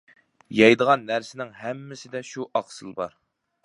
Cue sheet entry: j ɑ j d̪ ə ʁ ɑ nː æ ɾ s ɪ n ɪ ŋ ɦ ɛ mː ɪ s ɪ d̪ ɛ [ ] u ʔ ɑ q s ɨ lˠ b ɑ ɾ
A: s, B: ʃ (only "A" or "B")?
B